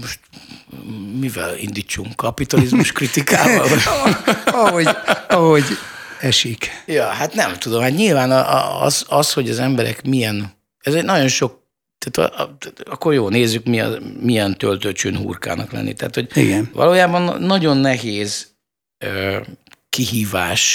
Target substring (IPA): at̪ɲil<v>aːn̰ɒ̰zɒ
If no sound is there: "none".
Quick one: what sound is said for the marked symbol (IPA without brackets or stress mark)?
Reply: v